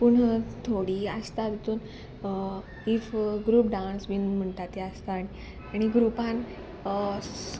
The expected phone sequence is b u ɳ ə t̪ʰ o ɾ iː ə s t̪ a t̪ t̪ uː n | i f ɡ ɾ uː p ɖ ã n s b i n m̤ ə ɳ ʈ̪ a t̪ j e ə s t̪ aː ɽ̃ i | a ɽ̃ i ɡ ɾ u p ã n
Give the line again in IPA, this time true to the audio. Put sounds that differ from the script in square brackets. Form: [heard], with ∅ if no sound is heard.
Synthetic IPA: [p] u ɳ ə t̪ʰ o [ɽ] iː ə s t̪ a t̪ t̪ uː n | i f ɡ ɾ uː p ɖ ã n s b i n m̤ ə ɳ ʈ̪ a t̪ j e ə s t̪ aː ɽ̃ i | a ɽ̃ i ɡ ɾ u p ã n